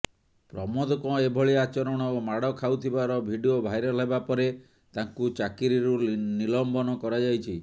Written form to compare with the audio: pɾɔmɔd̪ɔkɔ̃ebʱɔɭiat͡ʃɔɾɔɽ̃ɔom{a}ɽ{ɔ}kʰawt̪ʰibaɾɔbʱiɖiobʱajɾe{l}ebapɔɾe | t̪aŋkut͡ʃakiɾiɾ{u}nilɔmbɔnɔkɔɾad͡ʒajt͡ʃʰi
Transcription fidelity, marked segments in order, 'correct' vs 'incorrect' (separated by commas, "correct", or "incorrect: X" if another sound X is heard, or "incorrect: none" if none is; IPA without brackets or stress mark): correct, correct, correct, correct